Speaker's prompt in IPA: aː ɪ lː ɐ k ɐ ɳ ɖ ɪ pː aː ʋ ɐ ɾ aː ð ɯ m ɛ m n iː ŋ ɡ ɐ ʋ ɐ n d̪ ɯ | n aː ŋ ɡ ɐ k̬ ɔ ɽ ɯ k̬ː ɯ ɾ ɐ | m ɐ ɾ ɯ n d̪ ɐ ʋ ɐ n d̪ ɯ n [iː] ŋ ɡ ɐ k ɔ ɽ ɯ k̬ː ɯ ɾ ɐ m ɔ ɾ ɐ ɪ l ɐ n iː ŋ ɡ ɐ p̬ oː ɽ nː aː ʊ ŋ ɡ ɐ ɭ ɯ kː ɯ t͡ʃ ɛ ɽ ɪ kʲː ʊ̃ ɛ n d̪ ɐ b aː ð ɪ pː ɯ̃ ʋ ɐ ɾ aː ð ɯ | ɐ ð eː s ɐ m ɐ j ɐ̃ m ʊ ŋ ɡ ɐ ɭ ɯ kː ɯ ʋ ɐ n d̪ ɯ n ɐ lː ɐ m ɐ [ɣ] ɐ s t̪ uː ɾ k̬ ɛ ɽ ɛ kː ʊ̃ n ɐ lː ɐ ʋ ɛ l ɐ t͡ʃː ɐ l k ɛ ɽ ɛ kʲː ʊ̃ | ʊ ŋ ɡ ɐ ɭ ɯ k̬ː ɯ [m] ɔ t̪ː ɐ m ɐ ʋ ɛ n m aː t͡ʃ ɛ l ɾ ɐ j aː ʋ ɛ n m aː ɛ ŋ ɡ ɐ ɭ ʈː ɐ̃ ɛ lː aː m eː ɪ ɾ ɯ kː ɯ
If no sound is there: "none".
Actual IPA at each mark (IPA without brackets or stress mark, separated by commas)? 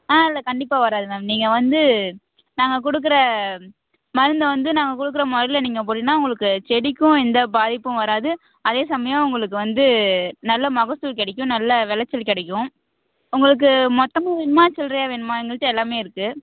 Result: aː, ɣ, m